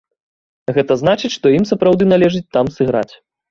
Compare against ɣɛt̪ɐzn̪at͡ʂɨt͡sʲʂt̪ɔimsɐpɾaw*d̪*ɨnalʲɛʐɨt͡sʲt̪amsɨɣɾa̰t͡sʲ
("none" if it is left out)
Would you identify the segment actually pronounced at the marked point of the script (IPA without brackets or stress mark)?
d̪